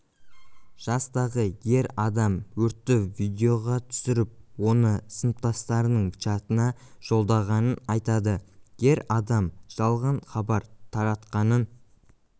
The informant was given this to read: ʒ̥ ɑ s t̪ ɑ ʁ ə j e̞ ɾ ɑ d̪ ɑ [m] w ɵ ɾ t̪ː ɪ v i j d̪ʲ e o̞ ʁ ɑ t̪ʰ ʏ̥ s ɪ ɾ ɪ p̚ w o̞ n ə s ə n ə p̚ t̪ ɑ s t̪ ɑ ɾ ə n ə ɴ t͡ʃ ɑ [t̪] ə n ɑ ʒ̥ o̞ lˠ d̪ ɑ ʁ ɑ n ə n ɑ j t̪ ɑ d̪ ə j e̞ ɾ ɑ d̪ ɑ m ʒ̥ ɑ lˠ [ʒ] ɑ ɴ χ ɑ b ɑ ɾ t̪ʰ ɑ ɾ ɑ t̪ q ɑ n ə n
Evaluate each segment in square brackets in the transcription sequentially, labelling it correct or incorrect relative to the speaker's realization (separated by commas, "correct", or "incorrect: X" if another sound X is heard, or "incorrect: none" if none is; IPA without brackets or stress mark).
correct, correct, incorrect: ʁ